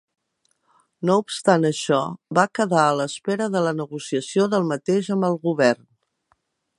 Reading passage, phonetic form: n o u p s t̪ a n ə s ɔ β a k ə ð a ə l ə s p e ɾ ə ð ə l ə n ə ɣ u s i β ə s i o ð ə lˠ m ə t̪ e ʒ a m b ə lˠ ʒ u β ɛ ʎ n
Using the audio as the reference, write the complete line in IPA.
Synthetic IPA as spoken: n o u p s t̪ a n ə ʃ ɔ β a k ə ð a ə l ə s p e ɾ ə ð ə l ə n ə ɣ u s i ə s i o ð ə lˠ m ə t̪ e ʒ ə m b ə lˠ ɣ u β ɛ r n